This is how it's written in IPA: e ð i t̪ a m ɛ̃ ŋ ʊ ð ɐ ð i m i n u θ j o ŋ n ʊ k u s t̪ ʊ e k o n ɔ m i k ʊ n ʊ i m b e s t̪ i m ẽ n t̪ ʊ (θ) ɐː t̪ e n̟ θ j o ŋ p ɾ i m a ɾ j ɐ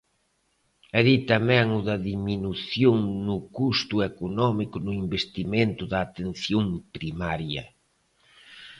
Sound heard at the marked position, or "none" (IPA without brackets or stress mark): ð